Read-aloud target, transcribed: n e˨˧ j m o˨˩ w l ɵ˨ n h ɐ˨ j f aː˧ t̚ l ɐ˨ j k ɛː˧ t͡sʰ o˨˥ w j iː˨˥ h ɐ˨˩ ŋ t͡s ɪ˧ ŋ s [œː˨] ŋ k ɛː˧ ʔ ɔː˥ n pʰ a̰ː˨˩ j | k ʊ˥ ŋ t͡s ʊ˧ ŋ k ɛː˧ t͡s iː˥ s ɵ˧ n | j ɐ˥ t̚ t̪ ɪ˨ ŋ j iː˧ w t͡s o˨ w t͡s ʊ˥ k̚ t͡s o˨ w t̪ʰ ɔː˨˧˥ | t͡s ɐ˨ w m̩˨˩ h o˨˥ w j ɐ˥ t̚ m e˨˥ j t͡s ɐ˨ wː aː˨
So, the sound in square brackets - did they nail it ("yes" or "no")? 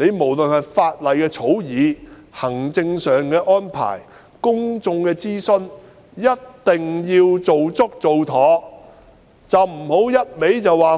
yes